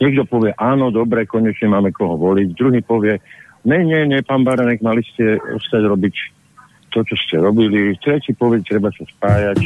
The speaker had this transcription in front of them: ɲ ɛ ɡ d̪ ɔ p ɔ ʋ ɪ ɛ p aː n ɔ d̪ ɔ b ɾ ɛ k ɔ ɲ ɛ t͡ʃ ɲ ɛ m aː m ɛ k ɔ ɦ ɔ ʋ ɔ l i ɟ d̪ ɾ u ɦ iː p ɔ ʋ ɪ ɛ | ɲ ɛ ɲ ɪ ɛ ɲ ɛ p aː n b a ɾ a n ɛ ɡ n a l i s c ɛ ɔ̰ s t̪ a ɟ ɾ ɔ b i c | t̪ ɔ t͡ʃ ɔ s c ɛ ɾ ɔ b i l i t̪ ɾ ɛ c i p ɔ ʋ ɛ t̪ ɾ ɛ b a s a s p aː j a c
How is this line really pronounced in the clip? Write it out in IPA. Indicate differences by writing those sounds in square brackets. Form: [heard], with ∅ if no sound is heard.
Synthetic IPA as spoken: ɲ ɛ ɡ d̪ ɔ p ɔ ʋ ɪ ɛ [ʔ] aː n ɔ d̪ ɔ b ɾ ɛ k ɔ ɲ ɛ t͡ʃ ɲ ɛ m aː m ɛ k ɔ ɦ ɔ ʋ ɔ l i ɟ d̪ ɾ u ɦ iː p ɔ ʋ ɪ ɛ | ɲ ɛ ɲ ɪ ɛ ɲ ɛ p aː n b a ɾ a n ɛ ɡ [m] a l i s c ɛ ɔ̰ s t̪ a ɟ ɾ ɔ b i c | t̪ ɔ t͡ʃ ɔ s c ɛ ɾ ɔ b i l i t̪ ɾ ɛ c i p ɔ ʋ ɛ t̪ ɾ ɛ b a s a s p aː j a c